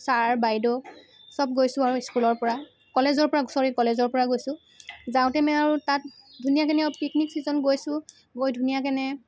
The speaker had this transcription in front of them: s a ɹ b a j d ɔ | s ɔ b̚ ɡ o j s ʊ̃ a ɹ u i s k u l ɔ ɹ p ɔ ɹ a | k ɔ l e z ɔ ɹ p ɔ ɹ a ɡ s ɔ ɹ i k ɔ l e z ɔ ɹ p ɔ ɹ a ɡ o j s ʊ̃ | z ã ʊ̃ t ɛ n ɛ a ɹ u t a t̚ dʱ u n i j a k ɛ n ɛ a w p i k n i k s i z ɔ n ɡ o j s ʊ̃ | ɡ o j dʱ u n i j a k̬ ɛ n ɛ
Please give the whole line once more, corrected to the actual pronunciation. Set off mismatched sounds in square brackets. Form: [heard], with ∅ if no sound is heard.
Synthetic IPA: s a ɹ b a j d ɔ | s ɔ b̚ ɡ o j s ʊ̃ a ɹ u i s k u l ɔ ɹ p ɔ ɹ a | k ɔ l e z ɔ ɹ p ɔ ɹ a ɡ s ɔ ɹ i k ɔ l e z ɔ ɹ p ɔ ɹ a ɡ o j s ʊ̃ | z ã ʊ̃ t ɛ [m] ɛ a ɹ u t a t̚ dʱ u n i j a k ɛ n ɛ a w p i k n i k s i z ɔ n ɡ o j s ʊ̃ | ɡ o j dʱ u n i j a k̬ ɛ n ɛ